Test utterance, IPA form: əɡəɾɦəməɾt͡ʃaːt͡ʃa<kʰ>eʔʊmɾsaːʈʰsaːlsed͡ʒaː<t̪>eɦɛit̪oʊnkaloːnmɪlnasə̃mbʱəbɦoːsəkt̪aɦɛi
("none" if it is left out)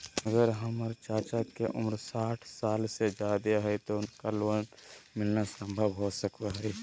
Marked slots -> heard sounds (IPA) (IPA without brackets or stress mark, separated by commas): k, d̪